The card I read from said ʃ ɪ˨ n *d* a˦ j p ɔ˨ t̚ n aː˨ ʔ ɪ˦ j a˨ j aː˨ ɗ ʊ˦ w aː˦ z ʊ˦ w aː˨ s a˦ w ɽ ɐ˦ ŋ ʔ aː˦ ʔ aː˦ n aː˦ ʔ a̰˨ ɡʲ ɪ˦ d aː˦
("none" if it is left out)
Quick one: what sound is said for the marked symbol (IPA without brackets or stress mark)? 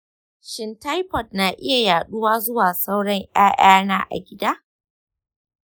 t